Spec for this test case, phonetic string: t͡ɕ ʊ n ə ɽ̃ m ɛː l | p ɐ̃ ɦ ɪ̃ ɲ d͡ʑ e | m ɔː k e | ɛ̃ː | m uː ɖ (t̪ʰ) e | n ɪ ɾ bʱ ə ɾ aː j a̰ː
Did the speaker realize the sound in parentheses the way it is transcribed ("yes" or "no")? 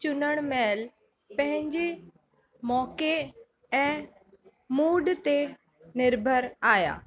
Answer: no